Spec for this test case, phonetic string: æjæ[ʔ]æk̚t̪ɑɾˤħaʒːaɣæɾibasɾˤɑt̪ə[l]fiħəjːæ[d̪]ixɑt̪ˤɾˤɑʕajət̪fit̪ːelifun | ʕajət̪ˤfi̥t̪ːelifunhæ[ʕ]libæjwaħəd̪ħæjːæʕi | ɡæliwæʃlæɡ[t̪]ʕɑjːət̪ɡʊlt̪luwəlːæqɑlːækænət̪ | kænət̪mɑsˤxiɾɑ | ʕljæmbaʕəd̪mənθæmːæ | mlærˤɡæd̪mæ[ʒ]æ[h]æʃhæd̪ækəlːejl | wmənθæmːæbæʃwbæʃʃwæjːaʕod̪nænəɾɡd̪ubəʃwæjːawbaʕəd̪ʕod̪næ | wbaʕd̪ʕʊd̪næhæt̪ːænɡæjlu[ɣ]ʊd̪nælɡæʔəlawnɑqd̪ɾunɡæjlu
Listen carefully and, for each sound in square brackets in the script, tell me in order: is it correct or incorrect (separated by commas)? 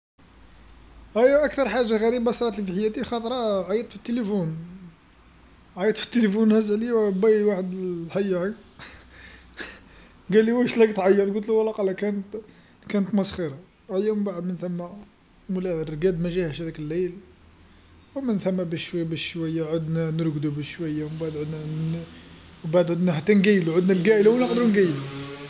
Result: correct, correct, incorrect, incorrect, correct, correct, correct, incorrect